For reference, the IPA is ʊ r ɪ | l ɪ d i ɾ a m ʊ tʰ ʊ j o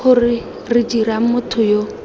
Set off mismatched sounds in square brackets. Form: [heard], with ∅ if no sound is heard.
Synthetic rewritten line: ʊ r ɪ | [r] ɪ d i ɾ a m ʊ tʰ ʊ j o